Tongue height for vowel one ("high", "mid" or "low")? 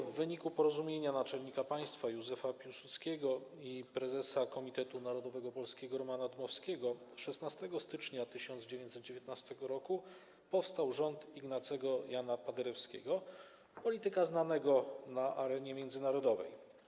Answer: mid